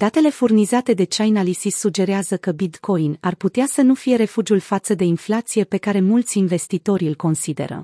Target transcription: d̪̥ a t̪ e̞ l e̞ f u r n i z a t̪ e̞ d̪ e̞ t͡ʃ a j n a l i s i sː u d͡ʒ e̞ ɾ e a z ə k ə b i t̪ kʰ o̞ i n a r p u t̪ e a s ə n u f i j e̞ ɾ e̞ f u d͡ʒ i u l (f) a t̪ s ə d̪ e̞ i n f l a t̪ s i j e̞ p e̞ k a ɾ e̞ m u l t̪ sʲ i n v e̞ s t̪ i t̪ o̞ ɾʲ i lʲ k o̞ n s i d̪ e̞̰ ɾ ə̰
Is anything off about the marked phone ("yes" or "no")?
no